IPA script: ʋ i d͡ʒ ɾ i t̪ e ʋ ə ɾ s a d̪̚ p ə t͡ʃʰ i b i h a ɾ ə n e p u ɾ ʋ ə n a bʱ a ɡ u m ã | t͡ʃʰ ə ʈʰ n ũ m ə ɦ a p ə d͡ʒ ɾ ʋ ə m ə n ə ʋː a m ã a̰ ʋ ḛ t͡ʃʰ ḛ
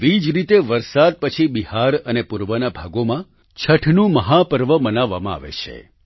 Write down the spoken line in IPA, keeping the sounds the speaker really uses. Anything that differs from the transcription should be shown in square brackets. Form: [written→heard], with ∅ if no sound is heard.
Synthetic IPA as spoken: ʋ i d͡ʒ ɾ i t̪ e ʋ ə ɾ s a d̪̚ p ə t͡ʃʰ i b i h a ɾ ə n e p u ɾ ʋ ə n a bʱ a ɡ [u→o] m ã | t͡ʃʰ ə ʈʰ n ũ m ə ɦ a p ə [d͡ʒ→∅] ɾ ʋ ə m ə n [ə→a] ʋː a m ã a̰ ʋ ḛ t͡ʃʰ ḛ